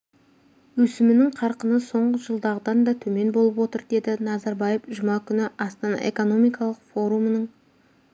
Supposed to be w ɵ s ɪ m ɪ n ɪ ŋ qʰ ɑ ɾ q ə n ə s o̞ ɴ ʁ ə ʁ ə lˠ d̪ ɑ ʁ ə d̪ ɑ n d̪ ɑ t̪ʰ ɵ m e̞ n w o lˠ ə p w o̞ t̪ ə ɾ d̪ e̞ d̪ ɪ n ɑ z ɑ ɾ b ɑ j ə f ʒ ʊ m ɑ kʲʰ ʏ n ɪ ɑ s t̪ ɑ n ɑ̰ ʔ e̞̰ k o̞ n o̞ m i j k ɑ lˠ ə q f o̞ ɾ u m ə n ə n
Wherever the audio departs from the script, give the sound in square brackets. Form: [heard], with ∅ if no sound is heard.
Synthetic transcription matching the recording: w ɵ s ɪ m ɪ n ɪ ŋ qʰ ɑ ɾ q ə n ə s o̞ ɴ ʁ ə [ʒ] ə lˠ d̪ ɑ ʁ ə d̪ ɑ n d̪ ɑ t̪ʰ ɵ m e̞ n [b] o lˠ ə p w o̞ t̪ ə ɾ d̪ e̞ d̪ ɪ n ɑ z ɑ ɾ b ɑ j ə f ʒ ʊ m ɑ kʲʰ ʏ n ɪ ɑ s t̪ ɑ n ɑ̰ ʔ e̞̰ k o̞ n o̞ m i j k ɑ lˠ ə q f o̞ ɾ u m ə n ə [ɴ]